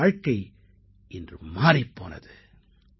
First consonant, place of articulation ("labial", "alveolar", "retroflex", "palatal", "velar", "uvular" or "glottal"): retroflex